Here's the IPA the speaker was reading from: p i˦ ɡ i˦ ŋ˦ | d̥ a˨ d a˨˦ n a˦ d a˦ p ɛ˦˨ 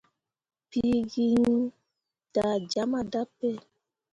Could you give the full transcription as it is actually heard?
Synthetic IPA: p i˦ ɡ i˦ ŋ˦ | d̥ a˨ d͡ʒ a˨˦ m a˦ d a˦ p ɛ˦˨